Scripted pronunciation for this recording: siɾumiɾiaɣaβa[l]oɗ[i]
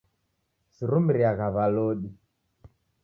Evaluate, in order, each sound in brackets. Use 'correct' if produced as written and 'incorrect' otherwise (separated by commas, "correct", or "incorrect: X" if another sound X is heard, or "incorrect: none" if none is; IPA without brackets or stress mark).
correct, correct